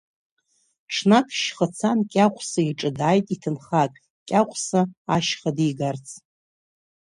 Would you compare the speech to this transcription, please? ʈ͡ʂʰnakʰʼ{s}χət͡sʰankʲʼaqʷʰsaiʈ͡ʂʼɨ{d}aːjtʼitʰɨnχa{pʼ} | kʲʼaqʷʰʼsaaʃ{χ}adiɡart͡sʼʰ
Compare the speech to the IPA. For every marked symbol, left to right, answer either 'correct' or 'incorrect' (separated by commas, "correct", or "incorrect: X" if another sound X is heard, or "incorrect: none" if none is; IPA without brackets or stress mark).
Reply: incorrect: ʃ, correct, incorrect: kʼ, correct